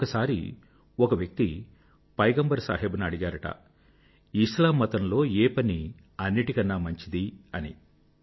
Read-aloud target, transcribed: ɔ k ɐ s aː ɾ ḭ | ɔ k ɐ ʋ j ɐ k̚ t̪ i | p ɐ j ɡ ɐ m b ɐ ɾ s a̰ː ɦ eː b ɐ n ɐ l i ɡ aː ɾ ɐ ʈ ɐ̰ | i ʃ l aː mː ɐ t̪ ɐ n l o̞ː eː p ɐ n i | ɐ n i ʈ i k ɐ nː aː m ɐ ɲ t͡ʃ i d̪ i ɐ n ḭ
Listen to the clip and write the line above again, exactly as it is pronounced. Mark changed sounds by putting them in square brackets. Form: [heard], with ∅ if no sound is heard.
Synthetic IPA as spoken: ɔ k ɐ s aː ɾ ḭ | ɔ k ɐ ʋ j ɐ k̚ t̪ i | p ɐ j ɡ ɐ m b ɐ ɾ s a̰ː ɦ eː b ɐ n ɐ [ɽ] i ɡ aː ɾ ɐ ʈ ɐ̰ | i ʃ l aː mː ɐ t̪ ɐ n l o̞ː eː p ɐ n i | ɐ [nː] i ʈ i k ɐ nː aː m ɐ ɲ t͡ʃ i d̪ i ɐ n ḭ